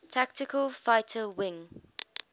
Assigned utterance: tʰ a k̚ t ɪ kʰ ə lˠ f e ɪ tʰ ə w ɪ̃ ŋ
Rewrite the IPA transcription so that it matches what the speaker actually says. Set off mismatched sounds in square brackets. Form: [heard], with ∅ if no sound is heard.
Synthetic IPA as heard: tʰ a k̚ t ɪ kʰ ə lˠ f [a] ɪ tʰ ə w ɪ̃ ŋ